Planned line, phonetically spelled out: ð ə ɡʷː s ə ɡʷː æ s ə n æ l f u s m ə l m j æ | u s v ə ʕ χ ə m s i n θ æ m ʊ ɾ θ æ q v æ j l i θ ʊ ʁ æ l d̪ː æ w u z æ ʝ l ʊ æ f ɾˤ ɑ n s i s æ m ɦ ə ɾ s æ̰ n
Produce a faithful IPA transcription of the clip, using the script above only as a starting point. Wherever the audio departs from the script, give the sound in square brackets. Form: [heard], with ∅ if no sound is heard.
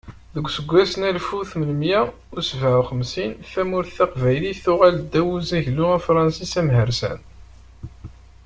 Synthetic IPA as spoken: ð ə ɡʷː s ə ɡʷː æ s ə n æ l f u [θ] m ə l m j æ | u s v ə ʕ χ ə m s i n θ æ m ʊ ɾ θ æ q v æ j l i θ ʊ ʁ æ l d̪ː æ w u z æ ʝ l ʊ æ f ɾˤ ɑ n s i s æ m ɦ ə ɾ s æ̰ n

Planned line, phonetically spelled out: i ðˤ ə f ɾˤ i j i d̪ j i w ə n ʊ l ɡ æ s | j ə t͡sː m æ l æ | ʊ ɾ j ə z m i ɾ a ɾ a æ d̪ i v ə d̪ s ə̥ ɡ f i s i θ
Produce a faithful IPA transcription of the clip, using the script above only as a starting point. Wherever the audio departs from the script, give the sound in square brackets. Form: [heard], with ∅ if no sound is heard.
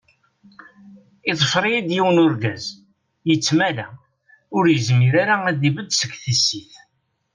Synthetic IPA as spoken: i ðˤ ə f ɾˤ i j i d̪ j i w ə n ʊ [ɾ] ɡ æ [z] | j ə t͡sː m æ l æ | ʊ ɾ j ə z m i ɾ a ɾ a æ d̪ i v ə d̪ s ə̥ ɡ [θ] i s i θ

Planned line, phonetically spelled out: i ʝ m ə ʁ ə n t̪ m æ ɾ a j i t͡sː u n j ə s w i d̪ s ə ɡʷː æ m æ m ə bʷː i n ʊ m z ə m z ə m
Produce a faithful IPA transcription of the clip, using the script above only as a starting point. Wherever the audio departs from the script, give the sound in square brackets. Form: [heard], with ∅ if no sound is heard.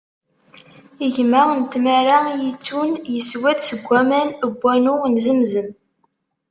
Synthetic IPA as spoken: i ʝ m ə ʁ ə n t̪ m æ ɾ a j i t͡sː u n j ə s w [æ] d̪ s ə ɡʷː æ m æ [n] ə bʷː [æ] n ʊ [n] z ə m z ə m

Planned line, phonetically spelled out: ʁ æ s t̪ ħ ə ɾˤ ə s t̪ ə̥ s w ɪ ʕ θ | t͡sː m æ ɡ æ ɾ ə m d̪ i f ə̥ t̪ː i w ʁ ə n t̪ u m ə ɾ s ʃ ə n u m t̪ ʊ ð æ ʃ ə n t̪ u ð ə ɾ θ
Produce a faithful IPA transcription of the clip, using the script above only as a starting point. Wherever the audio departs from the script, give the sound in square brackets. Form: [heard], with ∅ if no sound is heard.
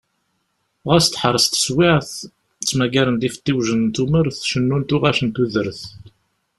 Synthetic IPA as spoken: ʁ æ s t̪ ħ ə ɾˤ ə s t̪ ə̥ s w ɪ ʕ θ | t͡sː m æ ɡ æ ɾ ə [n] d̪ i f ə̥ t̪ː i w [ʒ] ə n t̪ u m ə ɾ [θ] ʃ ə [nː] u [n] t̪ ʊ [ʁ] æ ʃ ə n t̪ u ð ə ɾ θ

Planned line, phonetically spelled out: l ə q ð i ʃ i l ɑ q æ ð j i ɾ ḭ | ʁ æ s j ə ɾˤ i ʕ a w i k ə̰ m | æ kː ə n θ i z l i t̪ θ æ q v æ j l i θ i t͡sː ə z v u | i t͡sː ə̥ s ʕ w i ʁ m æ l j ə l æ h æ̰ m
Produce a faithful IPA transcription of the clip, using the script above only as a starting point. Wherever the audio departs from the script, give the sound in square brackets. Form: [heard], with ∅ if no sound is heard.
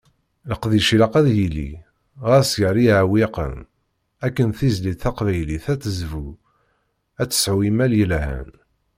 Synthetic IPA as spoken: l ə q ð i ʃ i l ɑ q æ ð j i [l] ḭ | ʁ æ s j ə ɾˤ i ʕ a w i [q] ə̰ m | æ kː ə n θ i z l i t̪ θ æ q v æ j l i θ [æ] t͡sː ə z v u | [æ] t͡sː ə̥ s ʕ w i [∅] m æ l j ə l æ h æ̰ [n]

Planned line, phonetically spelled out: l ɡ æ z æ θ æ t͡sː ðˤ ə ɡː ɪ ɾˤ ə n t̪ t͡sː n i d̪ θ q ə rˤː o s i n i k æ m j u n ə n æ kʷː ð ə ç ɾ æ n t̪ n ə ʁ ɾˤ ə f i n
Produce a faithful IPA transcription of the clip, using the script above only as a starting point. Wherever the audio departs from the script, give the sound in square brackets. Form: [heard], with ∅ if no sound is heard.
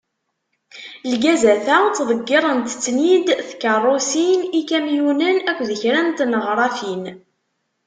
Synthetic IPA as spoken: l ɡ æ z æ θ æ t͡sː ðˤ ə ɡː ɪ ɾˤ ə n t̪ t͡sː n i d̪ θ [k] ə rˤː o s i n i k æ m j u n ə n æ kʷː ð ə ç ɾ æ n t̪ n ə ʁ ɾˤ [ɑ] f i n

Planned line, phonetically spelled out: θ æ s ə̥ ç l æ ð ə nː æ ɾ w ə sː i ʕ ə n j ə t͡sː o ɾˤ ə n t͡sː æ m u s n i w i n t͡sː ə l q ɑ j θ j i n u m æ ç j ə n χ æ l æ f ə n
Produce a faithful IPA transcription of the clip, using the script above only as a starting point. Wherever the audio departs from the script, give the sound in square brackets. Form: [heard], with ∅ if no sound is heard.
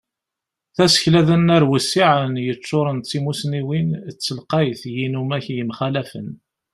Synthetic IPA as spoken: θ æ s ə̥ ç l æ ð ə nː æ ɾ w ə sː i ʕ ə n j ə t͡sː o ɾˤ ə n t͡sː [i] m u s n i w i n t͡sː ə l q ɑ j θ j i n u m æ ç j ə [m] χ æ l æ f ə n

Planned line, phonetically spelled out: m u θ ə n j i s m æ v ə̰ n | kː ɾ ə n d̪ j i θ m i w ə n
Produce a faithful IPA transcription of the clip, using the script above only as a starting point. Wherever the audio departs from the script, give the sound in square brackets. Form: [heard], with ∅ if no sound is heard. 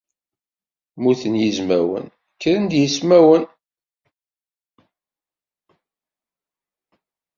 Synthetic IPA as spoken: m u θ ə n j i [z] m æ [w] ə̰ n | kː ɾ ə n d̪ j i [s] m [æ] w ə n

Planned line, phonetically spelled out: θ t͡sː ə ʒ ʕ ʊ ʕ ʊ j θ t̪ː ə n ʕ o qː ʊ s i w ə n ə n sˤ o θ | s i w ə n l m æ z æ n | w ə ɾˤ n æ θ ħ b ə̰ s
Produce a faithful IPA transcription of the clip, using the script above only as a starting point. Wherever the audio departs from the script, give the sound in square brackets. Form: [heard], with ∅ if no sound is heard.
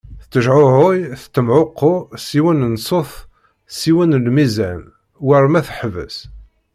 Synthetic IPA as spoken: θ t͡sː ə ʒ ʕ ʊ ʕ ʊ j θ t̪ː ə [m] ʕ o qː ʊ s i w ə n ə n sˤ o θ | s i w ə n l m [i] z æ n | w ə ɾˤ [m] æ θ ħ [v] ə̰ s

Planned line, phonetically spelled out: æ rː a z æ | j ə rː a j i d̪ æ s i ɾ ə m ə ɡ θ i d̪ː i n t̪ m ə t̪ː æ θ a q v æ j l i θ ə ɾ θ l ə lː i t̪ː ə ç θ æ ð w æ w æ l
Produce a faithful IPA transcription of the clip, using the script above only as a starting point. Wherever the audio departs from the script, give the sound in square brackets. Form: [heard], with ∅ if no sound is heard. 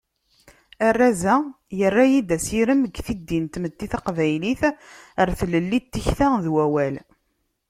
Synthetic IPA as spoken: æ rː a z æ | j ə rː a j i d̪ æ s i ɾ ə m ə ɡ θ i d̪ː i n t̪ m ə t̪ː [i] θ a q v æ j l i θ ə ɾ θ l ə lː i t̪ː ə ç θ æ ð w æ w æ l

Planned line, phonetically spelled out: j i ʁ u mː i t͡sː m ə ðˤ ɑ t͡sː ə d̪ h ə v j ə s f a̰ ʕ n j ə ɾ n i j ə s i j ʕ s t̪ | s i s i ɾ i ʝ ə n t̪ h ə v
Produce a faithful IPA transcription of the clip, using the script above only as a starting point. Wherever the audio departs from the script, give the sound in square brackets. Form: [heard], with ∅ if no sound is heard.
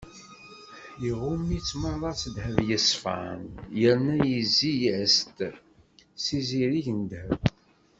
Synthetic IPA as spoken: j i ʁ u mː i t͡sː m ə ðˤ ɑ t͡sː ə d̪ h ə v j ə s f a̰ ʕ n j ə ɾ n [æ] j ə [z] i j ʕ s t̪ | s i [z] i ɾ i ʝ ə n [d̪] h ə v

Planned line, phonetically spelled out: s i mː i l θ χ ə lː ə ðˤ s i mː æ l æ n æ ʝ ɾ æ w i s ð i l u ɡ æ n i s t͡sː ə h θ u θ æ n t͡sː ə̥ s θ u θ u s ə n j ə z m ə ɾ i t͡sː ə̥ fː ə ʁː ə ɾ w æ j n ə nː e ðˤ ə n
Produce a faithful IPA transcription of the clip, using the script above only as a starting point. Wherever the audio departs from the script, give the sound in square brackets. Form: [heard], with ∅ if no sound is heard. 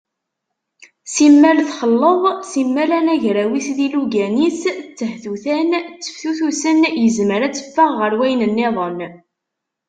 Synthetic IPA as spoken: s i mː [æ] l θ χ ə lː ə ðˤ s i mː æ l æ n æ ʝ ɾ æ w i s ð i l u ɡ æ n i s t͡sː ə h θ u θ æ n t͡sː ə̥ [f] θ u θ u s ə n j ə z m ə ɾ [æ] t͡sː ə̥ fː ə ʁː ə ɾ w æ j n ə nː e ðˤ ə n

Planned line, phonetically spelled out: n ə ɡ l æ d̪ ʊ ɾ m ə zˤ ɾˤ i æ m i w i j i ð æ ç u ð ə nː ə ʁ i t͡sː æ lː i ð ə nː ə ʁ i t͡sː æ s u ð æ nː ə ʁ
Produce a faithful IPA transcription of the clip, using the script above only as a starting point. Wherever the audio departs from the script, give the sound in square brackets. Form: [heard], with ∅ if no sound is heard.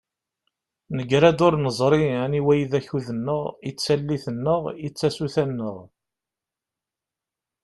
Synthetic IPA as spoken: n ə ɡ [ɾ] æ d̪ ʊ ɾ [n] ə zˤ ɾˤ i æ [n] i w [æ] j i ð æ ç u ð ə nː ə ʁ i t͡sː æ lː i [θ] ə nː ə ʁ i t͡sː æ s u [θ] æ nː ə ʁ

